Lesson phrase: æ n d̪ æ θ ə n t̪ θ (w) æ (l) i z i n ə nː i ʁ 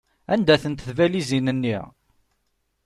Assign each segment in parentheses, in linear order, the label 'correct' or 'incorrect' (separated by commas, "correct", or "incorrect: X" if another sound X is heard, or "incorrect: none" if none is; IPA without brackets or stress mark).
incorrect: v, correct